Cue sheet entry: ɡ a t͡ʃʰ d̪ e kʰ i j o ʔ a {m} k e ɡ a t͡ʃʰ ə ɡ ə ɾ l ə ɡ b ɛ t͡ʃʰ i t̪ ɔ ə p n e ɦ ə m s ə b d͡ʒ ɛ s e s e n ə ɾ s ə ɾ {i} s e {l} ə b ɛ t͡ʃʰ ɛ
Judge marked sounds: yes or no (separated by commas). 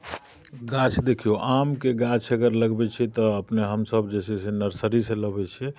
yes, yes, yes